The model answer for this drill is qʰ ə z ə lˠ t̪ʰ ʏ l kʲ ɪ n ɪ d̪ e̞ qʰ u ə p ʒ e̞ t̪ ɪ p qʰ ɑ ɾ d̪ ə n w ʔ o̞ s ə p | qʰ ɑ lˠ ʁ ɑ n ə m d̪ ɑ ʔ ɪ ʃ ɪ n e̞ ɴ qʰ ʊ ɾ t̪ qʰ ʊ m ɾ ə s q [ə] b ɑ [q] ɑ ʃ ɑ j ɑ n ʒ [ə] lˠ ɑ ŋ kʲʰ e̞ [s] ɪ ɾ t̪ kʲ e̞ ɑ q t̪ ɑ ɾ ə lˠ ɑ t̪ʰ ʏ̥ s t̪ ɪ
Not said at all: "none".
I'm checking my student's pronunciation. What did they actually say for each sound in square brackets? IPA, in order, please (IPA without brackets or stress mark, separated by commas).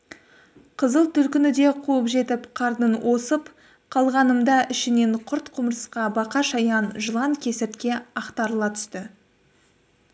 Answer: ɑ, q, ə, s